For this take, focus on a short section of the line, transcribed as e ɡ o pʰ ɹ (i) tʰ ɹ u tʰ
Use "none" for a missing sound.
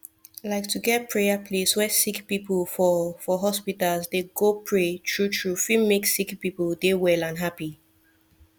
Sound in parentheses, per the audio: e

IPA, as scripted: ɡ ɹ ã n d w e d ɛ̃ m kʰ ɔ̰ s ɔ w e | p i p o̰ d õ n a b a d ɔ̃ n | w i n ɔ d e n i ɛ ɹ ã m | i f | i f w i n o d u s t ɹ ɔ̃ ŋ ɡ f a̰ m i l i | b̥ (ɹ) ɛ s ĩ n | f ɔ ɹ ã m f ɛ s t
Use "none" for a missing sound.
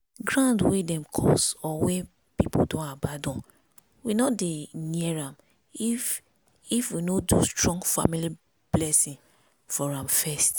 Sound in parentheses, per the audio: l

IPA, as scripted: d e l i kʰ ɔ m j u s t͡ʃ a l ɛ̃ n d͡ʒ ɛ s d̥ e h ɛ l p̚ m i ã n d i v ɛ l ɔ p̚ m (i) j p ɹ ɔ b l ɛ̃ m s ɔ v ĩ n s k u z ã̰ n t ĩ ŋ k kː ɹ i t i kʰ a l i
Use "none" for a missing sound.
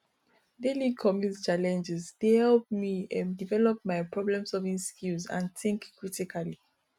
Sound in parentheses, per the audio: a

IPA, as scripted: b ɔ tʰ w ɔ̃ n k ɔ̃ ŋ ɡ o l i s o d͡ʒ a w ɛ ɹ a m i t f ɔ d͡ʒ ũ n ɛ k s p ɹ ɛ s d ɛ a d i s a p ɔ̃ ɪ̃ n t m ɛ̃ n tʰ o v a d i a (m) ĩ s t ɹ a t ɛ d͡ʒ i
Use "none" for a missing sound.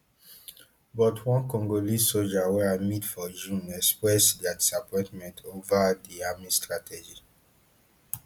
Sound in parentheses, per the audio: m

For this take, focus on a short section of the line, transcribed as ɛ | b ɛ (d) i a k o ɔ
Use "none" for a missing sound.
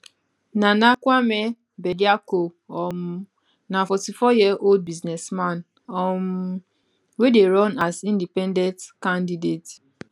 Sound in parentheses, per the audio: d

